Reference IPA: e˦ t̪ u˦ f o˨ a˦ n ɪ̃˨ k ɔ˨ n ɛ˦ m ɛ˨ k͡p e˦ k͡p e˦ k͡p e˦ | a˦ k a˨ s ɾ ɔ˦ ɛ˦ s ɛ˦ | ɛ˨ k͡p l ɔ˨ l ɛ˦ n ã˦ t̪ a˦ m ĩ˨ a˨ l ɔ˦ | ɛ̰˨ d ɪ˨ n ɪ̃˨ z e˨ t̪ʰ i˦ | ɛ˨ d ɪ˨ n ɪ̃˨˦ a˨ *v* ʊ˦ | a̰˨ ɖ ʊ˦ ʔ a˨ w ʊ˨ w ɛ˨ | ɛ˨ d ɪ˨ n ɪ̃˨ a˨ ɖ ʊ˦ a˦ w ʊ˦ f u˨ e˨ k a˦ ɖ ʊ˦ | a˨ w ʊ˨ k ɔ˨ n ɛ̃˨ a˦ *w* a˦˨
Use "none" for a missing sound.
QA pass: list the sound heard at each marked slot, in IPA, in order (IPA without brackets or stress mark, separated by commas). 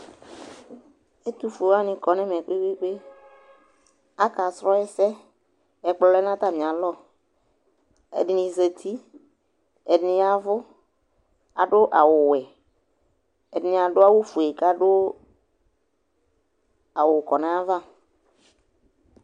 v, v